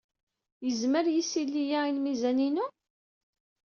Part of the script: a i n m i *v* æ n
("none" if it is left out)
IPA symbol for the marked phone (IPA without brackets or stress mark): z